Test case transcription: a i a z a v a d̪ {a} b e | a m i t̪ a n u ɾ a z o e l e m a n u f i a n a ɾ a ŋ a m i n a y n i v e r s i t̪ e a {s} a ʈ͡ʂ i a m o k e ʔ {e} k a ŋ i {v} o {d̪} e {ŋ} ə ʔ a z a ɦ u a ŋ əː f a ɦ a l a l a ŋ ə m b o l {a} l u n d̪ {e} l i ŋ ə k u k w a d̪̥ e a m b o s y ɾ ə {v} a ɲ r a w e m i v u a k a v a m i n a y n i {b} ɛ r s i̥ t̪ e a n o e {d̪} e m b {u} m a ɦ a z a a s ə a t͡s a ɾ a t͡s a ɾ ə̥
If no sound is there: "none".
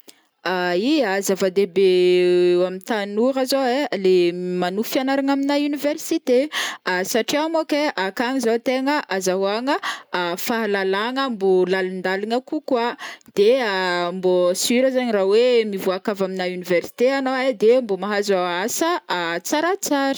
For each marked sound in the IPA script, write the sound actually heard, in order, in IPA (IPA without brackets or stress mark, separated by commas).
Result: e, s, a, z, t̪, ŋ, a, a, z, v, d̪, o